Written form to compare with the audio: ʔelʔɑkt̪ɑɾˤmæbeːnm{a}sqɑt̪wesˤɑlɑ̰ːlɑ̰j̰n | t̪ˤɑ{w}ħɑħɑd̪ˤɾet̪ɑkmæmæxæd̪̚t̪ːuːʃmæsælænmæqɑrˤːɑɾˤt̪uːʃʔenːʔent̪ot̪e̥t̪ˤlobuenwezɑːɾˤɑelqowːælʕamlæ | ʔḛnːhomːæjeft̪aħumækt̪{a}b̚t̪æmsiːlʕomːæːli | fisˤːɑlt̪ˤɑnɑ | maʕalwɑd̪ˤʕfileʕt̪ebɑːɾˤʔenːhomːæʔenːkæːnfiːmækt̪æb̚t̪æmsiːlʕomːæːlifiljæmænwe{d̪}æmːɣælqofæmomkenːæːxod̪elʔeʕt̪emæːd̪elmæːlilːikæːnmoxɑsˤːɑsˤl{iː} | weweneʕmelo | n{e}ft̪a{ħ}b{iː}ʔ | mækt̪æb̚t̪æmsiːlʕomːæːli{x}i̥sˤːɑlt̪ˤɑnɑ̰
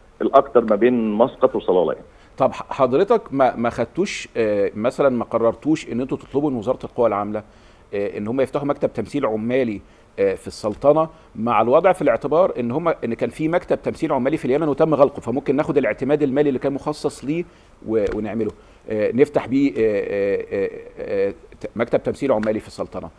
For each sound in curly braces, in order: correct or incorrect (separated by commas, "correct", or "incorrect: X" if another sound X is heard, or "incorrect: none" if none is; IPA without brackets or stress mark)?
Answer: incorrect: ɑ, incorrect: b, incorrect: æ, incorrect: t̪, correct, correct, correct, correct, incorrect: f